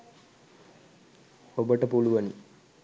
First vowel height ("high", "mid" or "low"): mid